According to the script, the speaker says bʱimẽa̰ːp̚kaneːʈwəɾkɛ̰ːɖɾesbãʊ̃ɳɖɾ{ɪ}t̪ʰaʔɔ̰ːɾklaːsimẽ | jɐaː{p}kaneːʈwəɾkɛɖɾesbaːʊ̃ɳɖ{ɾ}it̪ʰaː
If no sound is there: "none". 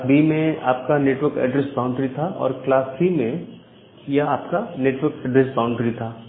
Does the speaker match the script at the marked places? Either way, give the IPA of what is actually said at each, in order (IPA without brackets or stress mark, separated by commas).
i, p, ɾ